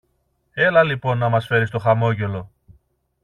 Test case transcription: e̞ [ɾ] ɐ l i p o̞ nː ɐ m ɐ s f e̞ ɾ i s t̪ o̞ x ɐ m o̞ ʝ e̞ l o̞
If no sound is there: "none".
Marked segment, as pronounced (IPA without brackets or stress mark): l